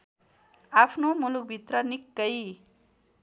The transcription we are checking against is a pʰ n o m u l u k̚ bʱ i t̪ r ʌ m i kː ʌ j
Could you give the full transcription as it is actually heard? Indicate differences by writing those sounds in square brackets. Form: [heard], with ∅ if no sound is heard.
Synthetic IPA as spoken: a pʰ n o m u l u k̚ bʱ i t̪ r ʌ [n] i kː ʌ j